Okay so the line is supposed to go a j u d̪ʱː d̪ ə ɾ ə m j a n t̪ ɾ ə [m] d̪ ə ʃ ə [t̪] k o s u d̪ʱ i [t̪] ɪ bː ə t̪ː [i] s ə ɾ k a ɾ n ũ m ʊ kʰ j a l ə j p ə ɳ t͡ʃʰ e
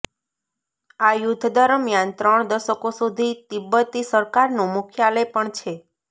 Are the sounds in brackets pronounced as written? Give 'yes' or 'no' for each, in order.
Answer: no, no, yes, yes

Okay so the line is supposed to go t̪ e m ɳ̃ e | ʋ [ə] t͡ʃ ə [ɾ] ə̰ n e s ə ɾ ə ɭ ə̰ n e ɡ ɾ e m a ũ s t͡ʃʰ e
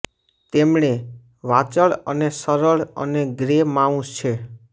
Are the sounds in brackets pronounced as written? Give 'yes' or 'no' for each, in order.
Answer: no, no

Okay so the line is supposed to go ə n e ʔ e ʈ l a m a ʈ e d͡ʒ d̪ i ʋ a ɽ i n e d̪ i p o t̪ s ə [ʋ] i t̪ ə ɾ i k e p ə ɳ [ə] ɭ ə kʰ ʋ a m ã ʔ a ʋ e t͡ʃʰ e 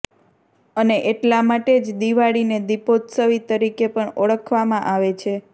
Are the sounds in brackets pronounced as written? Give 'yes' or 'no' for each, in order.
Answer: yes, yes

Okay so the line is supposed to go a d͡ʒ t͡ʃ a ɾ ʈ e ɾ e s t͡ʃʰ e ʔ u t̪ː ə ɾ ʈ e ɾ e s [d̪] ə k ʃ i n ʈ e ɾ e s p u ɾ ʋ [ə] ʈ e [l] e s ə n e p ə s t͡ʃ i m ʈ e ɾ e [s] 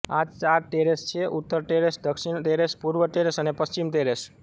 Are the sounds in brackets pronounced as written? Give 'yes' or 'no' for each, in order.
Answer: yes, yes, no, yes

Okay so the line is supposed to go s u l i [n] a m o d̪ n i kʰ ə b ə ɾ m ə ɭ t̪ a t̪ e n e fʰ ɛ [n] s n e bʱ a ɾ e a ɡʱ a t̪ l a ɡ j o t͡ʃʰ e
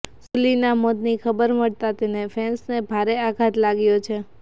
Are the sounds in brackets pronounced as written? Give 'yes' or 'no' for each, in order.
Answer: yes, yes

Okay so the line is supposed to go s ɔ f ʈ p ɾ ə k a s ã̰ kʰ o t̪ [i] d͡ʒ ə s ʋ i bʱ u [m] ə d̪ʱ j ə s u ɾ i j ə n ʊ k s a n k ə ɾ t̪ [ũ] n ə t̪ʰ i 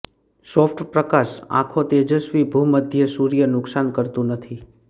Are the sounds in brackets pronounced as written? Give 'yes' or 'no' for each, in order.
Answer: no, yes, yes

